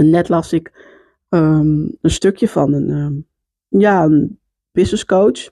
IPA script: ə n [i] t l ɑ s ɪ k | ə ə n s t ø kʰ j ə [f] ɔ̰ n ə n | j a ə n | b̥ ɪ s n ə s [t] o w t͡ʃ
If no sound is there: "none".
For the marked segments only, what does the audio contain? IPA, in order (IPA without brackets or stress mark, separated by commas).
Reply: ɛ, f, k